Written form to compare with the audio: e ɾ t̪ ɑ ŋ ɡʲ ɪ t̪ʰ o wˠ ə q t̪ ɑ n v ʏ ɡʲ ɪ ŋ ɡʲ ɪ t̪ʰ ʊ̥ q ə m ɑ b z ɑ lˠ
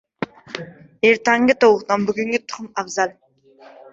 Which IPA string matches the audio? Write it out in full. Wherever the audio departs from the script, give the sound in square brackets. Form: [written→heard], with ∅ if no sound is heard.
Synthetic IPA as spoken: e ɾ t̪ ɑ ŋ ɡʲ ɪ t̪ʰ o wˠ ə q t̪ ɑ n [v→b] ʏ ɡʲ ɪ ŋ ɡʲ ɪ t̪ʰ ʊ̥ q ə m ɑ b z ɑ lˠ